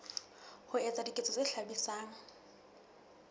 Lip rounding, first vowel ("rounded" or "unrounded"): rounded